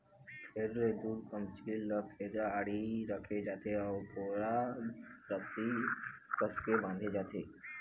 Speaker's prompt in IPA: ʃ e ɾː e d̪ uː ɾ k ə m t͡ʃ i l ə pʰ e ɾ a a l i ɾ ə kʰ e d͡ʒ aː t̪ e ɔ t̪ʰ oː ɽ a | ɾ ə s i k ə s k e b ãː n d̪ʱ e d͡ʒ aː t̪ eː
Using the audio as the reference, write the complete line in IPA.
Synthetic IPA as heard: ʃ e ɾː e d̪ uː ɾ k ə m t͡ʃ i l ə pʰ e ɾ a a ɽ i ɾ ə kʰ e d͡ʒ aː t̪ e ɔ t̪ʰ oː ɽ a | ɾ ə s i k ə s k e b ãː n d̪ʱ e d͡ʒ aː t̪ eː